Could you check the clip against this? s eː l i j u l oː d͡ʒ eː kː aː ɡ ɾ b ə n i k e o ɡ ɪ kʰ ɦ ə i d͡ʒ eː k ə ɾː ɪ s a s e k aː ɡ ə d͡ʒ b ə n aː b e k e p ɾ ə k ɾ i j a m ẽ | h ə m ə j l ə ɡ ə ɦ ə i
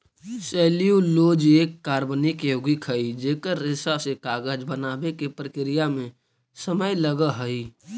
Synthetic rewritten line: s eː l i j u l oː d͡ʒ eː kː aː ɾ b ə n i k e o ɡ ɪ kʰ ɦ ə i d͡ʒ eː k ə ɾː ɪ s a s e k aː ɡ ə d͡ʒ b ə n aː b e k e p ɾ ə k ɾ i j a m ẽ | s ə m ə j l ə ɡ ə ɦ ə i